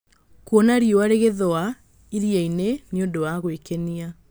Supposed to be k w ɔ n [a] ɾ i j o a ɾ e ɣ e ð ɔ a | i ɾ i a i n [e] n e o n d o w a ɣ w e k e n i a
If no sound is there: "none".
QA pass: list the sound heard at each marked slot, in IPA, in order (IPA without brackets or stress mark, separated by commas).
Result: a, e